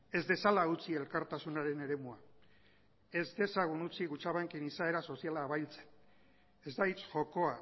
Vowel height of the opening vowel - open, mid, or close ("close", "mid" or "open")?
mid